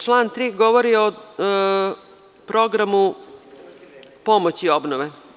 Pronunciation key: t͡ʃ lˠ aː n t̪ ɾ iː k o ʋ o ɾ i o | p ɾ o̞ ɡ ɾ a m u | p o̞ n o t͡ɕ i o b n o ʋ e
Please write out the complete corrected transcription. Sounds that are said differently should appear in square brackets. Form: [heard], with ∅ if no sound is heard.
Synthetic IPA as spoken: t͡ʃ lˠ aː n t̪ ɾ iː [ɡ] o ʋ o ɾ i o | p ɾ o̞ ɡ ɾ a m u | p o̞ [m] o t͡ɕ i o b n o ʋ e

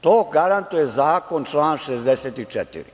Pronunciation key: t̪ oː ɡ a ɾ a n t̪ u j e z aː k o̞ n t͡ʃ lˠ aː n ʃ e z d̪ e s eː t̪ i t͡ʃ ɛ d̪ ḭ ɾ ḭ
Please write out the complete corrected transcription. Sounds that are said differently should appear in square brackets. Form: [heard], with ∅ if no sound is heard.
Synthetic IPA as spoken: t̪ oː ɡ a ɾ a n t̪ u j e z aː k o̞ n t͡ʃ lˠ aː n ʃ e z d̪ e s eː t̪ i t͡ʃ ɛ [t̪] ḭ ɾ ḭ

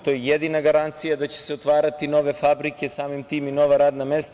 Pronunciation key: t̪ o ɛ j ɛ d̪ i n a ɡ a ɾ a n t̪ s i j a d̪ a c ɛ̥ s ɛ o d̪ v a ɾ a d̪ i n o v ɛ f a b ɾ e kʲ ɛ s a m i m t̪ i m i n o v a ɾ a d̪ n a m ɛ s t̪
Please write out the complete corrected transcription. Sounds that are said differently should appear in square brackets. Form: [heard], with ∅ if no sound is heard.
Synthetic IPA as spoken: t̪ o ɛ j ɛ d̪ i n a ɡ a ɾ a n t̪ s i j a d̪ a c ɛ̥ s ɛ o [t̪] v a ɾ a [t̪] i n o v ɛ f a b ɾ [i] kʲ ɛ s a m i m t̪ i m i n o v a ɾ a d̪ n a m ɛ s t̪

